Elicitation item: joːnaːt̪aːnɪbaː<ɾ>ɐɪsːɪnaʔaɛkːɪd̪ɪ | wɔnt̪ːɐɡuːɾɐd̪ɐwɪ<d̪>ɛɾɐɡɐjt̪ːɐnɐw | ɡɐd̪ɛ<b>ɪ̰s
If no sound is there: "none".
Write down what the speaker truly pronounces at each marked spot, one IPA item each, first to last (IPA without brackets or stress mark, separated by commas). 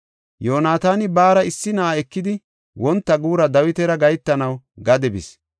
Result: ɾ, t̪, b